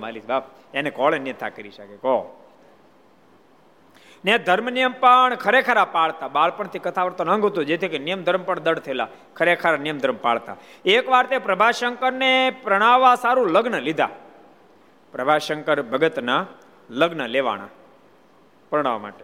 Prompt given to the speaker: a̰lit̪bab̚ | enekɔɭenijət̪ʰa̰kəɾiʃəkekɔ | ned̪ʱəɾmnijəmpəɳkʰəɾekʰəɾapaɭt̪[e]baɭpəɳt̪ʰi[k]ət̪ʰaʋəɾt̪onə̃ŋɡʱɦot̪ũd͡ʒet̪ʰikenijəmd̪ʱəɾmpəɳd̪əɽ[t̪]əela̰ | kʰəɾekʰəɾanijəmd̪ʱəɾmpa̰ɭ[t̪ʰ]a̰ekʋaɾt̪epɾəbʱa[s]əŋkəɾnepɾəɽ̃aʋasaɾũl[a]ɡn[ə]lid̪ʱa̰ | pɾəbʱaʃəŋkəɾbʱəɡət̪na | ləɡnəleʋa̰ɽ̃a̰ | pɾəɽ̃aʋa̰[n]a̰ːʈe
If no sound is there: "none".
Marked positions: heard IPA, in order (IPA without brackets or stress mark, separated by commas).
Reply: a, k, t̪ʰ, t̪, ʃ, ə, ə, m